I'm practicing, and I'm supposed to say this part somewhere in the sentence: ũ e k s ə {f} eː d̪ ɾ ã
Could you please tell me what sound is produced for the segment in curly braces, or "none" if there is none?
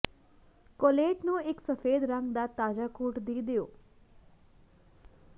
f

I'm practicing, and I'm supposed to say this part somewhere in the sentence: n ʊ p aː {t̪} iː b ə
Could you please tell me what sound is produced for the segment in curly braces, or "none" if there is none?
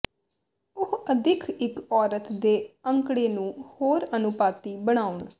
t̪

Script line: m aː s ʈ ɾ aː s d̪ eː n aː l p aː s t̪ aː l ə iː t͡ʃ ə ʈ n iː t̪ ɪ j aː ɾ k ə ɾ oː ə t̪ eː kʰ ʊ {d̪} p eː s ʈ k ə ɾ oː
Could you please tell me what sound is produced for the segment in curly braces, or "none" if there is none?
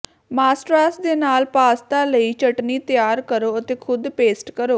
d̪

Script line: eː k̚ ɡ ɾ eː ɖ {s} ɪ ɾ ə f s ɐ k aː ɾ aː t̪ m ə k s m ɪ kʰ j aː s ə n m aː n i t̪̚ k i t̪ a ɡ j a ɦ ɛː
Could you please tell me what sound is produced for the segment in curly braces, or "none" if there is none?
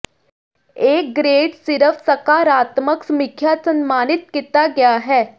s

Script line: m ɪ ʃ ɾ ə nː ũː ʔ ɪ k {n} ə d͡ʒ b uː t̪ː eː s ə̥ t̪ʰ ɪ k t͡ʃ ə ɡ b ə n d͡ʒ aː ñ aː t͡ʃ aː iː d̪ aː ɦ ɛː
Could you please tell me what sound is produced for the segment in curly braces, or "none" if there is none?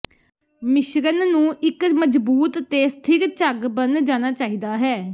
m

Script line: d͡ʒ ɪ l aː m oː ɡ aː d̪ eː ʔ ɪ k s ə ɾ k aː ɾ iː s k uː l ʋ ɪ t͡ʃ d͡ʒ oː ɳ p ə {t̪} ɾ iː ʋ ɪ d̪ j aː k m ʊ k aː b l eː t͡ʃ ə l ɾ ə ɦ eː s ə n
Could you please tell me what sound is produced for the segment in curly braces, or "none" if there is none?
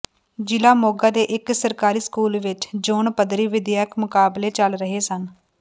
d̪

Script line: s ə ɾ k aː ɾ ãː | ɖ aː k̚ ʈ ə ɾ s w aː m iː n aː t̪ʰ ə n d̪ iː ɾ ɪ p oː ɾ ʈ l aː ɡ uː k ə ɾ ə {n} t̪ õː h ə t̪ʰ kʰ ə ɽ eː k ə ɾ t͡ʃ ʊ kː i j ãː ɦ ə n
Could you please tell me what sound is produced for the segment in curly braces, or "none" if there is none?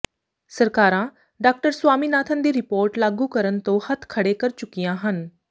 n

